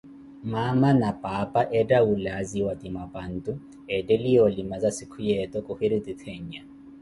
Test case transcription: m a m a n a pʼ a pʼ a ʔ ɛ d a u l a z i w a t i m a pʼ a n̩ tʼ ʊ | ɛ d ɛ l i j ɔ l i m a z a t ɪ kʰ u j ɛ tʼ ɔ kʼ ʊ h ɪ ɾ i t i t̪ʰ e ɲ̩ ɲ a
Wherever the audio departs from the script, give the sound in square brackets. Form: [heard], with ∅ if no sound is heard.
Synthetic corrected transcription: m a m a n a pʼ a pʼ a ʔ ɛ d a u l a z i w a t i m a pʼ a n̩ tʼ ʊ | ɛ d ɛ l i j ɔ l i m a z a [s] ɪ kʰ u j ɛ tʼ ɔ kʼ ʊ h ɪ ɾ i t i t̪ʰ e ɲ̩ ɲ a